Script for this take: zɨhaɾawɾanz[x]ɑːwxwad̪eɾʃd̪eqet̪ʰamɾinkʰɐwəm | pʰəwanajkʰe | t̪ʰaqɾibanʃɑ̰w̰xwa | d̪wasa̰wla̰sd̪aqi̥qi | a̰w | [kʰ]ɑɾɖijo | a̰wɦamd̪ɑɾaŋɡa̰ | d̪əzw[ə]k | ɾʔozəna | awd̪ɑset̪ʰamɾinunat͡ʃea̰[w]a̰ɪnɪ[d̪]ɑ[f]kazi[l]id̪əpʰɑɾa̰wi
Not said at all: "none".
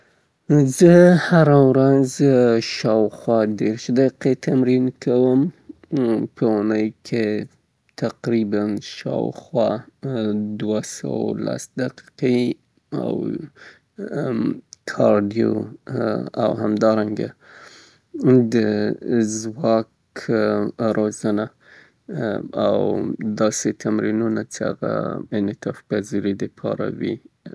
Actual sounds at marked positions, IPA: ʃ, kʰ, ɑ, ɣ, t̪, f, ɾ

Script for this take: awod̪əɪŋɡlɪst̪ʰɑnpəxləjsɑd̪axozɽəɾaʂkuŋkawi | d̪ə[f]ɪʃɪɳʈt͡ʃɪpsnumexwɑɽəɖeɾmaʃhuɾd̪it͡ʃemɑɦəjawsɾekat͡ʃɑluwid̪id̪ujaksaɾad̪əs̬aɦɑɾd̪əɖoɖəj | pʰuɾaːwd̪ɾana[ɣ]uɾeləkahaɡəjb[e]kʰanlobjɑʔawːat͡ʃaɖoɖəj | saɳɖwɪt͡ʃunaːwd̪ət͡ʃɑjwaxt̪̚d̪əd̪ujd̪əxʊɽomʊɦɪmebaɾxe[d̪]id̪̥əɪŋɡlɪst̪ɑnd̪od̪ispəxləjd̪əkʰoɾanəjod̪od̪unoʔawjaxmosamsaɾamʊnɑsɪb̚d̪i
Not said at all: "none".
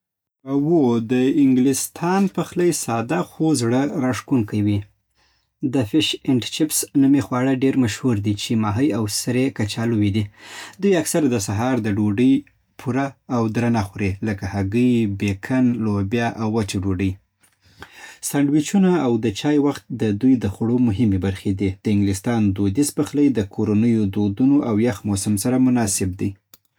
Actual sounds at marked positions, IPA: f, x, e, d̪

